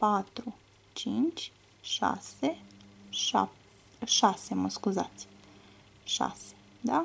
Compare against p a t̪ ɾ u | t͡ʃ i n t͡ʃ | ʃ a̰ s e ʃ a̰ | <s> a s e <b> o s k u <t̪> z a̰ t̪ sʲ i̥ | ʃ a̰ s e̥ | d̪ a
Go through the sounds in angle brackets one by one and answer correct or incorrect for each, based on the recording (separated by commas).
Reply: incorrect, incorrect, incorrect